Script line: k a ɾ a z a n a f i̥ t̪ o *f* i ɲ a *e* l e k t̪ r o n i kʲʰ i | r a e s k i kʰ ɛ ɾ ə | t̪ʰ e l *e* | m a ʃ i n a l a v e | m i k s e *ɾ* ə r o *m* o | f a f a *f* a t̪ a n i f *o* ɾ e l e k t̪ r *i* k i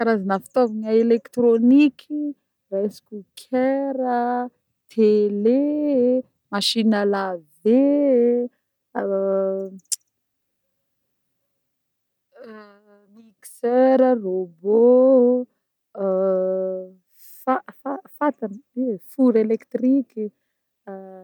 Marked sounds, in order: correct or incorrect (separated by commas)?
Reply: incorrect, correct, correct, correct, incorrect, correct, incorrect, correct